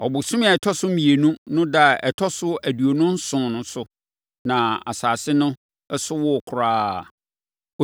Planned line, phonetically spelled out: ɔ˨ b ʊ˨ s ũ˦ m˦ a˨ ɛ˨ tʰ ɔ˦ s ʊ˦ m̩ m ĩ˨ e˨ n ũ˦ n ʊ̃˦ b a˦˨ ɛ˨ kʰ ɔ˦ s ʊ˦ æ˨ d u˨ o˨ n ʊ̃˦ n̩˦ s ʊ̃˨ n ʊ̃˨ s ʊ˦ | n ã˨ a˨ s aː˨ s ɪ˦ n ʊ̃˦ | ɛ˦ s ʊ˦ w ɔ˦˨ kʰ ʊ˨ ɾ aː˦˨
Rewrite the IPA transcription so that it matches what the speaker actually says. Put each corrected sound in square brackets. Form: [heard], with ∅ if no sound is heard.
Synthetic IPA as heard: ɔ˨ b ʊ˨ s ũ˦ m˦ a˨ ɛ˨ tʰ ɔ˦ s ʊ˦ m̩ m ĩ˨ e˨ n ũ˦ n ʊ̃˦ [d] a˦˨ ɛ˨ [tʰ] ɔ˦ s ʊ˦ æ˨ d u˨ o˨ n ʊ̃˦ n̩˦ s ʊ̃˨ n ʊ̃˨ s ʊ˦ | n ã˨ a˨ s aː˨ s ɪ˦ n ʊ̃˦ | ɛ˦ s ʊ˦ w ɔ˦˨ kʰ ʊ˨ ɾ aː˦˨